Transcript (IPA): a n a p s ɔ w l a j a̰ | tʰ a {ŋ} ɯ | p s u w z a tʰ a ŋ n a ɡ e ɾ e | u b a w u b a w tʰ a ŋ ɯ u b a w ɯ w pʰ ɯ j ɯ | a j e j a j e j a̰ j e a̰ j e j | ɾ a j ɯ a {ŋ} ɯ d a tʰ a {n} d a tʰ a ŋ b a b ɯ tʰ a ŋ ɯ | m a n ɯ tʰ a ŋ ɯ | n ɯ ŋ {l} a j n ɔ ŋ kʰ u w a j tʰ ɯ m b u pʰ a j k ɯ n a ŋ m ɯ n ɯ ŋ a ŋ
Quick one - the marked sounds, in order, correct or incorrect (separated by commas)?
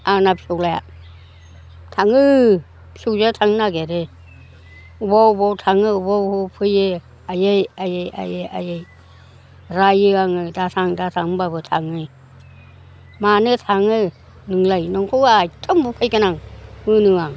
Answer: correct, correct, incorrect, correct